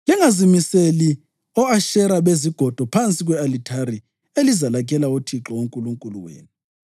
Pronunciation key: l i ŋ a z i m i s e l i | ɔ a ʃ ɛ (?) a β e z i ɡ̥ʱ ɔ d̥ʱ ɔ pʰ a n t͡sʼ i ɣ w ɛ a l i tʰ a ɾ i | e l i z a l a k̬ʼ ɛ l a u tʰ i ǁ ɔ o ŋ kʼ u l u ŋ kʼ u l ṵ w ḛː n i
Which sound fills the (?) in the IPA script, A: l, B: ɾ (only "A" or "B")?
B